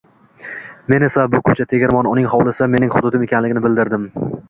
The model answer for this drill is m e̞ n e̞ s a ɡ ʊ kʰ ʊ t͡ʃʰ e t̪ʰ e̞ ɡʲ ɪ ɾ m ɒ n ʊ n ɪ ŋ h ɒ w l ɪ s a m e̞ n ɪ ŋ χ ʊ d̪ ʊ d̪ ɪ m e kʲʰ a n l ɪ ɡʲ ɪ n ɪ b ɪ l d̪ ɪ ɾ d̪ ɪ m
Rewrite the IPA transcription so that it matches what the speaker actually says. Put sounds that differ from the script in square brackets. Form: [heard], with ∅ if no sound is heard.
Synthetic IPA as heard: m e̞ n e̞ s a [b] ʊ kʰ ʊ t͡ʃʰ [a] t̪ʰ e̞ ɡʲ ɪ ɾ m ɒ n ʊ n ɪ ŋ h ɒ w l ɪ s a m e̞ n ɪ ŋ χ ʊ d̪ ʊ d̪ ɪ m e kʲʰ a n l ɪ ɡʲ ɪ n ɪ b ɪ l d̪ ɪ ɾ d̪ ɪ m